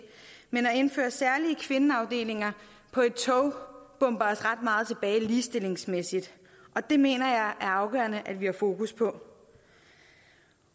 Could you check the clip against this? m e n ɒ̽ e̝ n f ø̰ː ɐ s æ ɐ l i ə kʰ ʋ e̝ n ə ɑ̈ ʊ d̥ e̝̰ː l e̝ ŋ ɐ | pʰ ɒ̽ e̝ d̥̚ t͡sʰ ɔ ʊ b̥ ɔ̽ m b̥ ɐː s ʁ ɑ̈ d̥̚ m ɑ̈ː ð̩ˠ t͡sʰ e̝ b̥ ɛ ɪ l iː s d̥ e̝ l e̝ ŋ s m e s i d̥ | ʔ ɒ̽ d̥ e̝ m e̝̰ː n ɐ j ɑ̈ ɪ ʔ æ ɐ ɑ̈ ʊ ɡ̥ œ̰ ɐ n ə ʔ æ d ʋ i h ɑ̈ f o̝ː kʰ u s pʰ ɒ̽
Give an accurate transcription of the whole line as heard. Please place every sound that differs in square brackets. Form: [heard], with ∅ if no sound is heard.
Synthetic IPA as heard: m e n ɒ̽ e̝ n f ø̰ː ɐ s æ ɐ l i ə kʰ ʋ e̝ n ə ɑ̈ ʊ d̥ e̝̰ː l e̝ ŋ ɐ | pʰ ɒ̽ e̝ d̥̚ t͡sʰ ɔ ʊ b̥ ɔ̽ m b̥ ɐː s ʁ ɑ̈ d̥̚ m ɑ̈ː ð̩ˠ t͡sʰ e̝ b̥ [ɛː] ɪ l iː s d̥ e̝ l e̝ ŋ s m e s i d̥ | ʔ ɒ̽ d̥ e̝ m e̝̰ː n ɐ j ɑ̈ ɪ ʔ æ ɐ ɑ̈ ʊ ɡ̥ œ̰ ɐ n ə ʔ æ d ʋ i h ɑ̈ f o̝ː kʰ u s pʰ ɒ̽